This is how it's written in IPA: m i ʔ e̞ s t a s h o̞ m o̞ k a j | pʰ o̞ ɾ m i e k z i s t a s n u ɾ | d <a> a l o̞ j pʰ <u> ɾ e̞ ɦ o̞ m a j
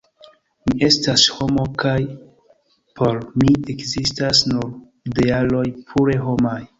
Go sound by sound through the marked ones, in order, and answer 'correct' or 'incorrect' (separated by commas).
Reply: incorrect, correct